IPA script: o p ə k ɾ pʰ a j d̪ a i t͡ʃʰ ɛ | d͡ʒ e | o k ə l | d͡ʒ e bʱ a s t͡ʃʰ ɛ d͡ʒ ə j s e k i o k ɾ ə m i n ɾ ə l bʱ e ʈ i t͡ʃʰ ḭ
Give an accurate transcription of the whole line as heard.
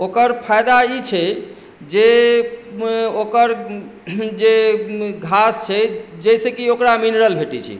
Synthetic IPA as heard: o k ə ɾ pʰ a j d̪ a i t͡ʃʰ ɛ | d͡ʒ e | o k ə ɾ | d͡ʒ e ɡʱ a s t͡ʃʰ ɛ d͡ʒ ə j s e k i o k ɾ a m i n ɾ ə l bʱ e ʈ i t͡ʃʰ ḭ

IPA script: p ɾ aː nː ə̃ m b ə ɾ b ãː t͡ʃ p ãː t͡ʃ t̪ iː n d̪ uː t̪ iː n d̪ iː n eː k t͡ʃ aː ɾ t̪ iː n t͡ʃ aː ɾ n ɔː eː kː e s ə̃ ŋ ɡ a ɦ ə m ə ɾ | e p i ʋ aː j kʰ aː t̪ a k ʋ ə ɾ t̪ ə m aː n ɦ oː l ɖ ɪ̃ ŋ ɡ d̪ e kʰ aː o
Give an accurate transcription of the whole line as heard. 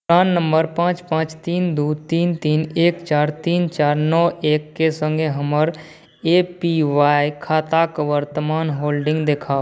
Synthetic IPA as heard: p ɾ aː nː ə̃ m b ə ɾ p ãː t͡ʃ p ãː t͡ʃ t̪ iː n d̪ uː t̪ iː n t̪ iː n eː k t͡ʃ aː ɾ t̪ iː n t͡ʃ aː ɾ n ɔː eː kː e s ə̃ ŋ ɡ e ɦ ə m ə ɾ | e p i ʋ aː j kʰ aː t̪ a k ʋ ə ɾ t̪ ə m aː n ɦ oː l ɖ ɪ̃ ŋ ɡ d̪ e kʰ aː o

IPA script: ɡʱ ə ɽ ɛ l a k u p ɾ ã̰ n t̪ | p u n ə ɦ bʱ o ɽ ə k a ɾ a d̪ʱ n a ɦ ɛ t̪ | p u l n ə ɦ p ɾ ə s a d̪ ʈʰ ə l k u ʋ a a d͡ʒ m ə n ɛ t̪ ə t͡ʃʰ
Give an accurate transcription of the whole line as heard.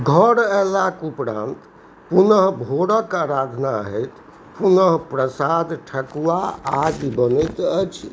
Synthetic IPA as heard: ɡʱ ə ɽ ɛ l a k u p ɾ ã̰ n t̪ | p u n ə ɦ bʱ o ɽ ə k a ɾ a d̪ʱ n a ɦ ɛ t̪ | p u n ə ɦ p ɾ ə s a d̪ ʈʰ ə k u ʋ a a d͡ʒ b ə n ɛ t̪ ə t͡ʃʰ

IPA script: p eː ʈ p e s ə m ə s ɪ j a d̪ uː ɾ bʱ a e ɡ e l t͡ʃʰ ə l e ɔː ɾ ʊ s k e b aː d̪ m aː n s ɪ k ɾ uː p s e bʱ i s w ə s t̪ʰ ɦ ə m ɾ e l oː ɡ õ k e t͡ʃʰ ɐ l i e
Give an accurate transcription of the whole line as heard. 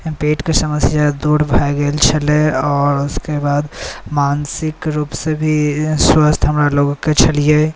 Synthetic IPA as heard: p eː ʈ k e s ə m ə s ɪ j a d̪ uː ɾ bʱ a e ɡ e l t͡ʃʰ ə l e ɔː ɾ ʊ s k e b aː d̪ m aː n s ɪ k ɾ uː p s e bʱ i s w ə s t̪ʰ ɦ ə m ɾ a l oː ɡ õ k e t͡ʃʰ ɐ l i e

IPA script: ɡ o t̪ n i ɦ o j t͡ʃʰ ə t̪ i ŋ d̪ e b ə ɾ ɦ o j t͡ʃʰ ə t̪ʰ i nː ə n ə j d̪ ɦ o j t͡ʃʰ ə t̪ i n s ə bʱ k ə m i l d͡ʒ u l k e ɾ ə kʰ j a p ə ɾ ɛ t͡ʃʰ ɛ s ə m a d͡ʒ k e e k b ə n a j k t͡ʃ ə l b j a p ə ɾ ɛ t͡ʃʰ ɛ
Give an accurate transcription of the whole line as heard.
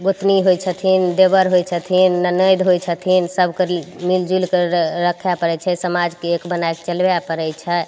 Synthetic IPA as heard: ɡ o t̪ n i ɦ o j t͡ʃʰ ə t̪ʰ i n d̪ e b ə ɾ ɦ o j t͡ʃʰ ə t̪ʰ i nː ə n ə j d̪ ɦ o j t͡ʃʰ ə t̪ʰ i n s ə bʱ k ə m i l d͡ʒ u l k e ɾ ə kʰ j a p ə ɾ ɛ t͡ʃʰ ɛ s ə m a d͡ʒ k e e k b ə n a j k t͡ʃ ə l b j a p ə ɾ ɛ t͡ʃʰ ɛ

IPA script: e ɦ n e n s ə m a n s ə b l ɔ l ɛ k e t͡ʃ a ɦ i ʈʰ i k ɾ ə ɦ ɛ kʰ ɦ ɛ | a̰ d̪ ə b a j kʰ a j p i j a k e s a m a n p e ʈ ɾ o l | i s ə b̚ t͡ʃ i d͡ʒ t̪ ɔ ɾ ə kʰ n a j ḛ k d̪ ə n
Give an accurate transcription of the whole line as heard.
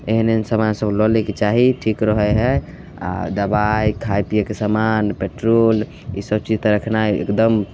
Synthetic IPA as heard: e ɦ n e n s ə m a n s ə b l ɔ l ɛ k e t͡ʃ a ɦ i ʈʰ i k ɾ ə ɦ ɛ ɦ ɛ | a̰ d̪ ə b a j kʰ a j p i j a k e s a m a n p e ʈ ɾ o l | i s ə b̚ t͡ʃ i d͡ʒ t̪ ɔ ɾ ə kʰ n a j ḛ k d̪ ə m

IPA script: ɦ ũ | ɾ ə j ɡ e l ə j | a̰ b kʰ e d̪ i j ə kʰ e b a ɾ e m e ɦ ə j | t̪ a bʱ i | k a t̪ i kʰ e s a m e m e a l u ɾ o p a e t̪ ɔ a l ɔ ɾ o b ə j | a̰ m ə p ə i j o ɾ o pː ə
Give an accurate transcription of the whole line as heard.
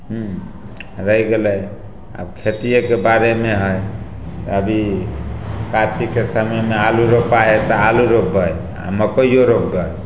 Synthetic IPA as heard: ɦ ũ | ɾ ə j ɡ e l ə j | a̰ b kʰ e t̪ i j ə k e b a ɾ e m e ɦ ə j | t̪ ə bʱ i | k a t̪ i k e s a m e m e a l u ɾ o p a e t̪ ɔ a l u ɾ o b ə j | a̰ m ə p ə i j o ɾ o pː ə

